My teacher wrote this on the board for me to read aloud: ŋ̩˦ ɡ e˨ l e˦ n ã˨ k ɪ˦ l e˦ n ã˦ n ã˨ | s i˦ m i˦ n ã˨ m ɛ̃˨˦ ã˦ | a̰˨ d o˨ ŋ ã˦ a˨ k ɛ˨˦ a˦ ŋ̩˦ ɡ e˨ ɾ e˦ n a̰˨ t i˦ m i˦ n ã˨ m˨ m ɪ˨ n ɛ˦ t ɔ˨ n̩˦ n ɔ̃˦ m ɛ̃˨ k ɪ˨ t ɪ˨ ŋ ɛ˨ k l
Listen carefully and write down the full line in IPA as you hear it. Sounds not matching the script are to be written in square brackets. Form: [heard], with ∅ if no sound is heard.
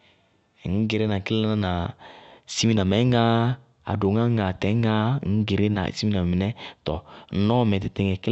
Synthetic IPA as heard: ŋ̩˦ ɡ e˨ [ɾ] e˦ n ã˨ k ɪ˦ l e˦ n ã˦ n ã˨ | s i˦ m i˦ n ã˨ m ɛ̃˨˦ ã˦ | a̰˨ d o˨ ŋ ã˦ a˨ [t] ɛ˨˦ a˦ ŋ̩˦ ɡ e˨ ɾ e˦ n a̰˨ [s] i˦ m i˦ n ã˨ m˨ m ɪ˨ n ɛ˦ t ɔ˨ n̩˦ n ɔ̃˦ m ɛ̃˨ [t] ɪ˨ t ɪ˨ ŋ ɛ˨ k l